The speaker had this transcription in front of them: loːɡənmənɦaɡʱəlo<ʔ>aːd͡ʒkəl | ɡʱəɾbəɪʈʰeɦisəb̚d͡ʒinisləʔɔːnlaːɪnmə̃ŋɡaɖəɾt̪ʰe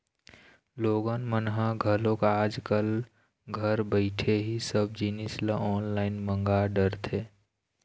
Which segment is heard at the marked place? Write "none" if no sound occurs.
k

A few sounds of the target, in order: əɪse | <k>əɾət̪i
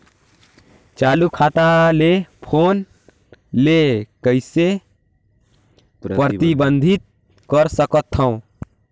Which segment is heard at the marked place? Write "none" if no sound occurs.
p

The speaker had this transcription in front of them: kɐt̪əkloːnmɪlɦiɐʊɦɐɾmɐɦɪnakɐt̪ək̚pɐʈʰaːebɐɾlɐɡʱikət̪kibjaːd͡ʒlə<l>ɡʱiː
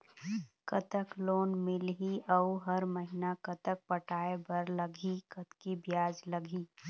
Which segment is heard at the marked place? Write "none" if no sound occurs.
none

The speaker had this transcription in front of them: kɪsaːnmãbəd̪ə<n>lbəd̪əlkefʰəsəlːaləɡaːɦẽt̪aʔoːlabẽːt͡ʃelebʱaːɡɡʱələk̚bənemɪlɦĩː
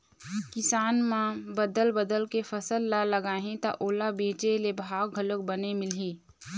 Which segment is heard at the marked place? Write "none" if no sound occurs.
none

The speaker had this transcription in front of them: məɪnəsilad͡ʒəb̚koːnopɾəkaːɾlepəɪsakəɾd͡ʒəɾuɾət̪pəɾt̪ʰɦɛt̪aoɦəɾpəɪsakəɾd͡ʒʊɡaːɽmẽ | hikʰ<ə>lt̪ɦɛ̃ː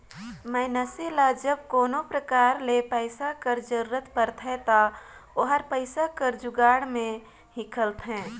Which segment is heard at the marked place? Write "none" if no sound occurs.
ə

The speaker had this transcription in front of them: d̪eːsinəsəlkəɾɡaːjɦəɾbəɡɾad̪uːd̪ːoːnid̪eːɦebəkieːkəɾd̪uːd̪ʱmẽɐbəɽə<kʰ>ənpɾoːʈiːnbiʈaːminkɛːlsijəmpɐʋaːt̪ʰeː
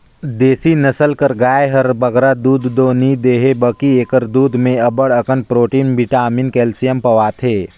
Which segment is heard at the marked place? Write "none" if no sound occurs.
k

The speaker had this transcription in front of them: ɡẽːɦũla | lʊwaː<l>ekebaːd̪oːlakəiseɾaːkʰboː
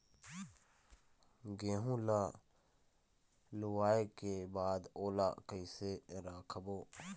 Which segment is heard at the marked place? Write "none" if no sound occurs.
none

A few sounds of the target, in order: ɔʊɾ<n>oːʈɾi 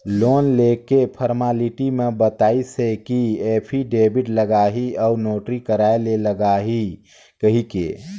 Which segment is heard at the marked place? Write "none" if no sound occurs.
n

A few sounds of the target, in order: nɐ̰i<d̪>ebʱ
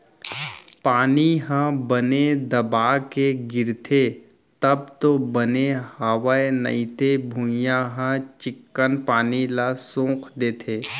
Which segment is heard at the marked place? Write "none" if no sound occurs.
t̪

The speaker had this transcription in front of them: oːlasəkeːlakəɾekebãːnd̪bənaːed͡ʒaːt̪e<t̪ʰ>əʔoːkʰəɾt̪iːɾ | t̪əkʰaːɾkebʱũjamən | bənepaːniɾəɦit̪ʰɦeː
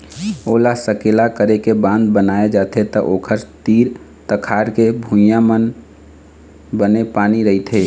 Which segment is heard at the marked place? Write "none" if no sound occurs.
t̪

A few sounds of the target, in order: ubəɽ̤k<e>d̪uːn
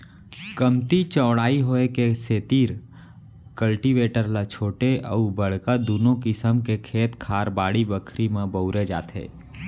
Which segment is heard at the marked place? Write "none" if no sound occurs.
a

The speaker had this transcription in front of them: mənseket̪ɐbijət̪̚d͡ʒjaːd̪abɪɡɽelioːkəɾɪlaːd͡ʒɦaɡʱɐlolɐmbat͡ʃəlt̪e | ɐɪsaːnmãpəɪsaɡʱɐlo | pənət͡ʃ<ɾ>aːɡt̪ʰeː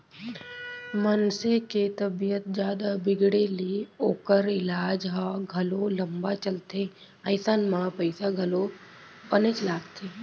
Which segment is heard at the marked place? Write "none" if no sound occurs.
l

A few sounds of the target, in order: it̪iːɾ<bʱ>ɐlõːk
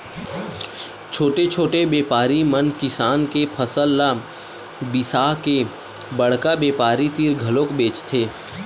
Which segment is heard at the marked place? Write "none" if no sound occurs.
ɡʱ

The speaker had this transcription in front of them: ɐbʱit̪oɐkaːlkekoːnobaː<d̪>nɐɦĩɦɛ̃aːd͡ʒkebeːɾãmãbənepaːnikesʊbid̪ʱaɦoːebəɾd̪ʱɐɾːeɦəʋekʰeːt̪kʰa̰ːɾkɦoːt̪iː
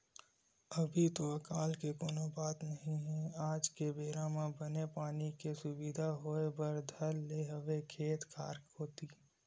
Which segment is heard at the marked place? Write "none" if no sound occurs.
t̪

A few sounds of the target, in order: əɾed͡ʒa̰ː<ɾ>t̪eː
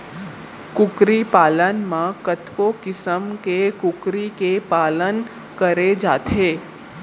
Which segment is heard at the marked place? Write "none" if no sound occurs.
none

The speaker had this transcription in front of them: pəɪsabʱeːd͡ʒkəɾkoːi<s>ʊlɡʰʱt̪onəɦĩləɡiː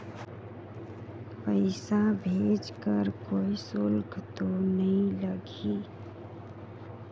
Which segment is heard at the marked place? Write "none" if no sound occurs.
s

